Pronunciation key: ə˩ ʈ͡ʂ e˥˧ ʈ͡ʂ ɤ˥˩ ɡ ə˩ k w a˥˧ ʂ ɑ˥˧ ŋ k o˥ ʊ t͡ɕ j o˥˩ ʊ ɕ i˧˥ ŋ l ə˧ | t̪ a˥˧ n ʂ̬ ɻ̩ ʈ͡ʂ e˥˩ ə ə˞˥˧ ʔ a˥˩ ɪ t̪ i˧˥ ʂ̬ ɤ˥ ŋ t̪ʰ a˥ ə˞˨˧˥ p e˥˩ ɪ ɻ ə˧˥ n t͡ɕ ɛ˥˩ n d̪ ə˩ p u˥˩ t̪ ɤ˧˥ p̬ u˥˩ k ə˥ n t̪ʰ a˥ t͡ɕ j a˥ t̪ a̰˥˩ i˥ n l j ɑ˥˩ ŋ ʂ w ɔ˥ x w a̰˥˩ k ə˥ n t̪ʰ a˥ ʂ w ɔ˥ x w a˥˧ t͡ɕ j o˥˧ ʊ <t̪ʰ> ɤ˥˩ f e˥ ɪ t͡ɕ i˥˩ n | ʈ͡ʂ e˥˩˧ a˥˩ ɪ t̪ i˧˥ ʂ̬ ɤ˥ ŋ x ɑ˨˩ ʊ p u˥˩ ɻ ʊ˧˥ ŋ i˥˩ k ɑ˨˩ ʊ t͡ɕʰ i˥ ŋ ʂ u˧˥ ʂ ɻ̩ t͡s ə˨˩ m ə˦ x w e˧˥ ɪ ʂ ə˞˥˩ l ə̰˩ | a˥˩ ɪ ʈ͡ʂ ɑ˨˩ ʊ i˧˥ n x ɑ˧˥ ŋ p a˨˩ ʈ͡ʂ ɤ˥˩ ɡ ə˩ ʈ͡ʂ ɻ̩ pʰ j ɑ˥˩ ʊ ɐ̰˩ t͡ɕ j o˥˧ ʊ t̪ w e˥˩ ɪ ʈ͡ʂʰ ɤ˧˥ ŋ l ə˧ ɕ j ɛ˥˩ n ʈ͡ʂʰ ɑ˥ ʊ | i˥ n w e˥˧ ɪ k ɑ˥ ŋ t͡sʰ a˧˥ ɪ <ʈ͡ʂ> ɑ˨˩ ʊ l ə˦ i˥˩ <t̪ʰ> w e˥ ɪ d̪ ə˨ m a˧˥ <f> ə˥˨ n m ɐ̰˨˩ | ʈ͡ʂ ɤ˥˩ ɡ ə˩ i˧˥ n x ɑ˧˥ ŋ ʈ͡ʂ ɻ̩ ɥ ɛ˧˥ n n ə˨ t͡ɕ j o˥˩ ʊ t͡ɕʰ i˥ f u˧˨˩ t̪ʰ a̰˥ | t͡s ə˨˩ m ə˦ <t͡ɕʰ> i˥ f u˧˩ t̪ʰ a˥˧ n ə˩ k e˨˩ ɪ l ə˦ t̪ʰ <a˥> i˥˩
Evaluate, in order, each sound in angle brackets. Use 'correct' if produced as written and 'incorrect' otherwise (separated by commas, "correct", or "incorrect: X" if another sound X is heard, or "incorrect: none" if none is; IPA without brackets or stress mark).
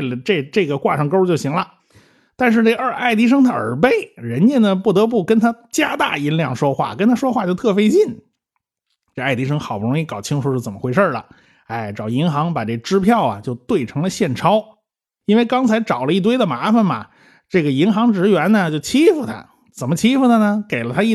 correct, correct, incorrect: t̪, correct, correct, correct